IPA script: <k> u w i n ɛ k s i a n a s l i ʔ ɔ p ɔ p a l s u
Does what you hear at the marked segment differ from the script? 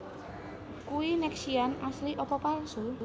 no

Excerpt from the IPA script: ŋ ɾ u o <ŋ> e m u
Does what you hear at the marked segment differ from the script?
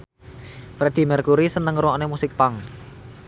yes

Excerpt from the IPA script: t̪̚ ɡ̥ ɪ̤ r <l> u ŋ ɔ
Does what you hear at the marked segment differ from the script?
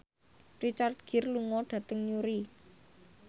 no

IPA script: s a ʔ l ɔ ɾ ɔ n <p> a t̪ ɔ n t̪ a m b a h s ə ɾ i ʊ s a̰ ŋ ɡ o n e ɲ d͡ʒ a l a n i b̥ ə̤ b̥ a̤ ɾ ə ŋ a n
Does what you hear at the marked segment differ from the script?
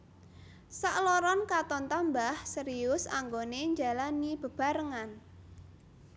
yes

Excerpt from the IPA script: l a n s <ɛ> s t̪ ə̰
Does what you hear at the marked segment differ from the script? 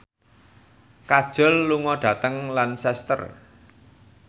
no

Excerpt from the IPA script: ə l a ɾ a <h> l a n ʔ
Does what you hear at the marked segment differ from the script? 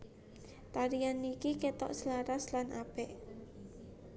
yes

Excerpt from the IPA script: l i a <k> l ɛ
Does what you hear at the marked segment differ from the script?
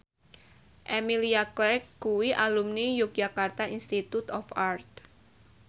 no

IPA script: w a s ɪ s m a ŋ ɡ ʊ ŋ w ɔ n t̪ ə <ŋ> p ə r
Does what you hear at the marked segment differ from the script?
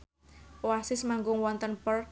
yes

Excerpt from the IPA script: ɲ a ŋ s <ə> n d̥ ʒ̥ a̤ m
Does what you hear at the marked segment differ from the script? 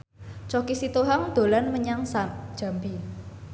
yes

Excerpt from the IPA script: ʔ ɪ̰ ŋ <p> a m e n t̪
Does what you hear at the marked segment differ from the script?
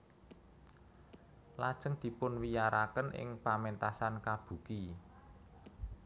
no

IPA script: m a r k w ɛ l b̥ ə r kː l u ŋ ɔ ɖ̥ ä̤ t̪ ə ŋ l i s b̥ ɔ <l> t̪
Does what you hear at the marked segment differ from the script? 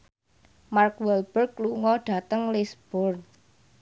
yes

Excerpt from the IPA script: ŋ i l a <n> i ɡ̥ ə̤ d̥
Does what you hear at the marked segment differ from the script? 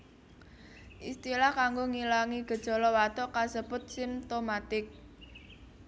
yes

